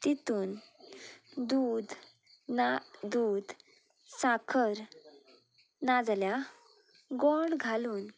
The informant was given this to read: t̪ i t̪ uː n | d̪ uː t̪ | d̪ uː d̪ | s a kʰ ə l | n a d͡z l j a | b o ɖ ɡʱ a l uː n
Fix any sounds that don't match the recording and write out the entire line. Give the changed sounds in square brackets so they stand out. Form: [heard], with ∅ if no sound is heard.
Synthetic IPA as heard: t̪ i t̪ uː n | d̪ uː [d̪] | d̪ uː d̪ | s a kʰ ə [ɾ] | n a d͡z l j a | [ɡ] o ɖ ɡʱ a l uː n